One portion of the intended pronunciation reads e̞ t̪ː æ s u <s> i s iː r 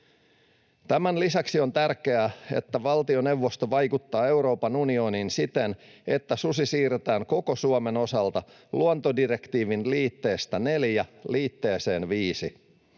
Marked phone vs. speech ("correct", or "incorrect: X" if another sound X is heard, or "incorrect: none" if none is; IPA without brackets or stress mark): correct